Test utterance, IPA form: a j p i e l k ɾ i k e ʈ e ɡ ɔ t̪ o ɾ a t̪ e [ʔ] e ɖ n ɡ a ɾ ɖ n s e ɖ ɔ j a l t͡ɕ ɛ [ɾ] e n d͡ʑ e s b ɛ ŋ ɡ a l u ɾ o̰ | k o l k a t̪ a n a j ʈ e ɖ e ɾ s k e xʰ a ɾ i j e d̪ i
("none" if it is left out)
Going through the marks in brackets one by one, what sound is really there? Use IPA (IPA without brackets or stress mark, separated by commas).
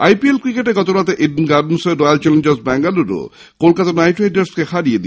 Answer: ʔ, l